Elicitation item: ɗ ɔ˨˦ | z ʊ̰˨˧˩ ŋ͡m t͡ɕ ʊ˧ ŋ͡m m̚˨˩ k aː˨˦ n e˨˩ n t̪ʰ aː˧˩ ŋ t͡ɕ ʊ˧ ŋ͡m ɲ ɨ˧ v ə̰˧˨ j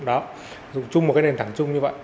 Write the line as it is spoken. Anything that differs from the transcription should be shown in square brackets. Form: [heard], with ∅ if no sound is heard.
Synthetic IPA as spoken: ɗ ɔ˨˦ | z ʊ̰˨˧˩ ŋ͡m t͡ɕ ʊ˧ ŋ͡m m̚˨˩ k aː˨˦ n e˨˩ n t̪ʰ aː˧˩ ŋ t͡ɕ ʊ˧ ŋ͡m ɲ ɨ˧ v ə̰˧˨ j

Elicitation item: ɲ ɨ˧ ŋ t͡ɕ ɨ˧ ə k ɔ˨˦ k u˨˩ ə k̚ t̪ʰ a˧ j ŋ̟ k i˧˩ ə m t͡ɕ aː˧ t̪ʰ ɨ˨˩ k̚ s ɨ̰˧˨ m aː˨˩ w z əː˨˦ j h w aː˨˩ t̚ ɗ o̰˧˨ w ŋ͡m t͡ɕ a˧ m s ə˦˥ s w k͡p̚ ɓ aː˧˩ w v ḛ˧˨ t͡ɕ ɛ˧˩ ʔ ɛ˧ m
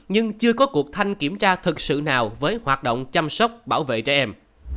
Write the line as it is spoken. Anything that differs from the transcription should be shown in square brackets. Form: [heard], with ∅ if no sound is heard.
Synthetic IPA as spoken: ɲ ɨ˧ ŋ t͡ɕ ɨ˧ ə k ɔ˨˦ k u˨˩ ə k̚ t̪ʰ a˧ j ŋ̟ k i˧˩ ə m t͡ɕ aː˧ t̪ʰ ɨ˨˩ k̚ s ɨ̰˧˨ [n] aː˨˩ w [v] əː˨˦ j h w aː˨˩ t̚ ɗ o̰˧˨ w ŋ͡m t͡ɕ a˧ m s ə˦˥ [∅] w k͡p̚ ɓ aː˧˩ w v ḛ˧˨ t͡ɕ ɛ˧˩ ʔ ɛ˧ m

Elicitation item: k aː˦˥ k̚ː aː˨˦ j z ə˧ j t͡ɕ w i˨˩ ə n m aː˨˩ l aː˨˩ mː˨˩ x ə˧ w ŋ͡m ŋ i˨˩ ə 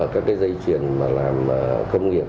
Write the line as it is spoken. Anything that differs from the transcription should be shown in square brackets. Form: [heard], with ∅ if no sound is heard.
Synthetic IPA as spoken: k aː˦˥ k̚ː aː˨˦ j z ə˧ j t͡ɕ w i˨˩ ə n m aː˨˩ l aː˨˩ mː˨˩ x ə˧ w ŋ͡m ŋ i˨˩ ə

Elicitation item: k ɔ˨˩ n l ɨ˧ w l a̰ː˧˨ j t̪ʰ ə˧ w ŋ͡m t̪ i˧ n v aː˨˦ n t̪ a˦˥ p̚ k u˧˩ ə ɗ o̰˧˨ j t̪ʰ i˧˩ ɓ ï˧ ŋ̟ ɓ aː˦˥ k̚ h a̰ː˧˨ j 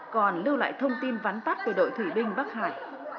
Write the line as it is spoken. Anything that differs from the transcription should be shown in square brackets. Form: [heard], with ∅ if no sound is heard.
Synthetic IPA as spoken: k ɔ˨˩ n l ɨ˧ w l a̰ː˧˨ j t̪ʰ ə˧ w ŋ͡m t̪ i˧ n v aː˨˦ n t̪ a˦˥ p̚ k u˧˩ ə ɗ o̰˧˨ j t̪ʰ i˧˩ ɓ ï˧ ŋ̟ ɓ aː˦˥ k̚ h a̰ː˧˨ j

